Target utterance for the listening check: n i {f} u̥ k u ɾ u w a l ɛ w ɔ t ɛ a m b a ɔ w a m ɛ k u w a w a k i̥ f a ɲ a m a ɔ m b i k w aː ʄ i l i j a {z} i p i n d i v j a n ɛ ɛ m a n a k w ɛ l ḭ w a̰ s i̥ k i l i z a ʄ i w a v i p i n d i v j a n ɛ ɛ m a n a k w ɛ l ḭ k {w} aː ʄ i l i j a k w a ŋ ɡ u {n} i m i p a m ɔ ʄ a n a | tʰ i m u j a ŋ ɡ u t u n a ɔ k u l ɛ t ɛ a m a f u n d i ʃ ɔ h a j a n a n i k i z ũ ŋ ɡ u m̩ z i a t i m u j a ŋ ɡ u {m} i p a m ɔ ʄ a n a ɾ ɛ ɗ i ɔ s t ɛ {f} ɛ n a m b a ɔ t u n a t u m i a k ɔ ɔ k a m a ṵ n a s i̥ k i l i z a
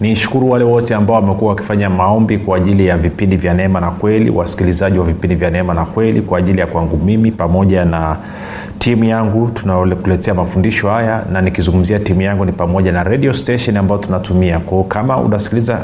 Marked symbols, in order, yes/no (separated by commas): no, no, yes, no, no, no